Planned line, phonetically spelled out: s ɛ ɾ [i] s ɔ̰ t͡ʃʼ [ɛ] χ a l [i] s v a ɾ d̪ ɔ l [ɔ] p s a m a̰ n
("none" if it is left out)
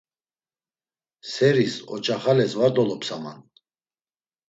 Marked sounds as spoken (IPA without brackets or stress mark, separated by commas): i, a, ɛ, ɔ